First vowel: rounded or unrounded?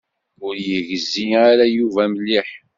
rounded